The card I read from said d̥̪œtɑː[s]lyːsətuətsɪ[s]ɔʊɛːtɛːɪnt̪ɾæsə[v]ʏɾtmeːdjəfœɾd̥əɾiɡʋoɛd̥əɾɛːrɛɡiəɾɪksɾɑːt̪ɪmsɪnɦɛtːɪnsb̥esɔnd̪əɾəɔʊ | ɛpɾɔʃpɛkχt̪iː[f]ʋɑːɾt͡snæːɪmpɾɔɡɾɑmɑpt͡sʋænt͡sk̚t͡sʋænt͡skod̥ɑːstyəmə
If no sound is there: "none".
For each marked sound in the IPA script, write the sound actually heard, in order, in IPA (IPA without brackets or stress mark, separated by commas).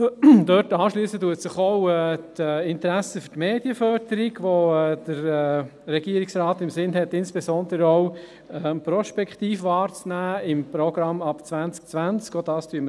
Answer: ʃ, χ, f, f